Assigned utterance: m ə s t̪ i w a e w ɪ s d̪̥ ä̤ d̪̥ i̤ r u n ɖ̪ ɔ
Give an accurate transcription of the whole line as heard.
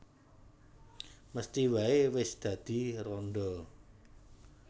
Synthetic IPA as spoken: m ə s t̪ i w a e w ɪ s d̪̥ ä̤ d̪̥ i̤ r ɔ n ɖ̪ ɔ